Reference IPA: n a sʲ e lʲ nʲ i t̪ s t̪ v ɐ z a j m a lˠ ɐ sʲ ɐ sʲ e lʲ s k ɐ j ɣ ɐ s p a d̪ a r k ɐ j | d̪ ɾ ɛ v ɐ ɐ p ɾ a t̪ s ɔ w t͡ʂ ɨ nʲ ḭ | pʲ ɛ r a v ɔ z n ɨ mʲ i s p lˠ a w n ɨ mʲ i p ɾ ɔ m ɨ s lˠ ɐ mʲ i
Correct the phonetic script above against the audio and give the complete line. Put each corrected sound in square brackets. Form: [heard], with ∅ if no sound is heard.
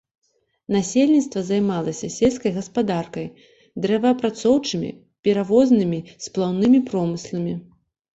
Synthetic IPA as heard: n a sʲ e lʲ nʲ i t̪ s t̪ v ɐ z a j m a lˠ ɐ sʲ ɐ sʲ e lʲ s k ɐ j ɣ ɐ s p a d̪ a r k ɐ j | d̪ ɾ ɛ v ɐ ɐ p ɾ a t̪ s ɔ w t͡ʂ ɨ [mʲ] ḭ | pʲ ɛ [ɾ] a v ɔ z n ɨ mʲ i s p lˠ a w n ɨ mʲ i p ɾ ɔ m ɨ s lˠ ɐ mʲ i